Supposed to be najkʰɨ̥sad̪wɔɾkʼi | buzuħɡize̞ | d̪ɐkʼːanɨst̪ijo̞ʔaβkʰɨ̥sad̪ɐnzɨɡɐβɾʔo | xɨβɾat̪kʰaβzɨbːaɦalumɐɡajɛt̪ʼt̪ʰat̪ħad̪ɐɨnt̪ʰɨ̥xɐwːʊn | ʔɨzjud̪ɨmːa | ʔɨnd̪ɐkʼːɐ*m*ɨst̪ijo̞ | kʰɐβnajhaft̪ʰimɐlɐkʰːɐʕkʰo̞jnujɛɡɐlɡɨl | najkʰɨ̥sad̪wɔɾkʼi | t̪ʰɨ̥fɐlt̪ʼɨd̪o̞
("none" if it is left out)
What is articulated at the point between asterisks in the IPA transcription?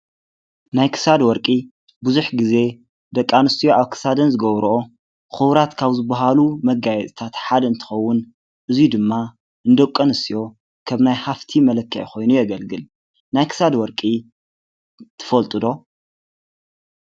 n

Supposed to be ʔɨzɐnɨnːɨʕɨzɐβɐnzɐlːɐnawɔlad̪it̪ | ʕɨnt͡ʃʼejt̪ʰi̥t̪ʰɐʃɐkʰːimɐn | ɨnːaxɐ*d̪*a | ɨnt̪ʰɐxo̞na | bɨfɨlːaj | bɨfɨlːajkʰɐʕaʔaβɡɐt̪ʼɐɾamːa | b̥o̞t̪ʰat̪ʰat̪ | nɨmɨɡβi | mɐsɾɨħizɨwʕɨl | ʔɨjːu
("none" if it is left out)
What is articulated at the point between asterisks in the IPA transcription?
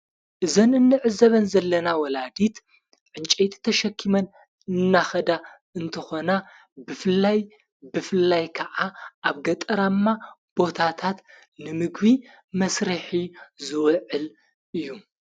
d̪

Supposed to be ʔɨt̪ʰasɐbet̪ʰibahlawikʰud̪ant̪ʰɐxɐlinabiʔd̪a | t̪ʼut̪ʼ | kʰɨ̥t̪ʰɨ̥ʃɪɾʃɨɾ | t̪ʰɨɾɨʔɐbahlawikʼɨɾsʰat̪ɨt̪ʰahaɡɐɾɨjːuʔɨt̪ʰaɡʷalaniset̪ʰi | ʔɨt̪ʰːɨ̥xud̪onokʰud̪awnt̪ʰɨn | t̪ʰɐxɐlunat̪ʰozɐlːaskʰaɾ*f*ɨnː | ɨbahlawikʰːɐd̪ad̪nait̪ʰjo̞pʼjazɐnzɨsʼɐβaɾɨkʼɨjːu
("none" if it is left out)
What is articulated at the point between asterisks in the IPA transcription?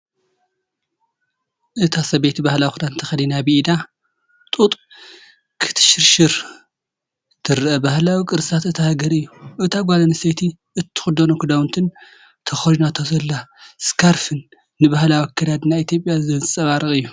f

